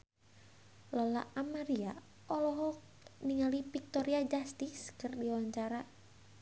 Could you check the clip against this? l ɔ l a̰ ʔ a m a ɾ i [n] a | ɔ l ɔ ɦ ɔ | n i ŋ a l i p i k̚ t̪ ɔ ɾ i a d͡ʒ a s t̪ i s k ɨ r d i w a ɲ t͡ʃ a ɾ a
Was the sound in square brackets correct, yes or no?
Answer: no